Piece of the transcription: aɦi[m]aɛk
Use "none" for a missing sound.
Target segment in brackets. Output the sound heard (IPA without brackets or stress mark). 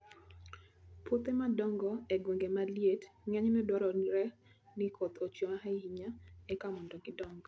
ɲ